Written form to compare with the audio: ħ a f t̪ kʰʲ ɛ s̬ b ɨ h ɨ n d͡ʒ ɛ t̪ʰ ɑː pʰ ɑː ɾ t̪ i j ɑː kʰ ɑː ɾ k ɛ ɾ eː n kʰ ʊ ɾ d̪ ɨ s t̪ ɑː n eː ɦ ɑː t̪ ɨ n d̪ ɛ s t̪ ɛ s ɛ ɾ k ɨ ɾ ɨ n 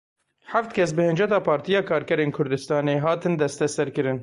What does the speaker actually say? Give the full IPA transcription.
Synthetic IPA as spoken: ħ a f t̪ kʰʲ ɛ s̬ b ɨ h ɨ n d͡ʒ ɛ t̪ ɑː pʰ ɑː ɾ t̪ i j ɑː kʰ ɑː ɾ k ɛ ɾ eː n kʰ ʊ ɾ d̪ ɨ s t̪ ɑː n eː ɦ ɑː t̪ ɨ n d̪ ɛ s t̪ ɛ s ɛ ɾ k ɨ ɾ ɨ n